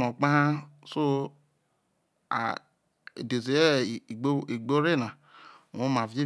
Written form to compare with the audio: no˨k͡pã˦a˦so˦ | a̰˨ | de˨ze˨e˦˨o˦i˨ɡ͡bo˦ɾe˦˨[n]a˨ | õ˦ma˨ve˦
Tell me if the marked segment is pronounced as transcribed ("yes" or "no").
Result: yes